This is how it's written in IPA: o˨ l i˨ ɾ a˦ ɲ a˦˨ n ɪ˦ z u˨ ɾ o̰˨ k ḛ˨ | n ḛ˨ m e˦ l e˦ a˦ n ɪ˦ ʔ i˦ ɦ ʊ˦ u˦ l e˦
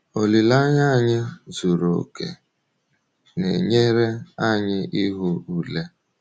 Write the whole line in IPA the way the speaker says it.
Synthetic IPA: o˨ l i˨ l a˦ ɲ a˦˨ ɲ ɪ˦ z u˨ ɾ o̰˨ k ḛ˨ | n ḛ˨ ɲ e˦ ɾ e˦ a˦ ɲ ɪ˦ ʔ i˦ ɦ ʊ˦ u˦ l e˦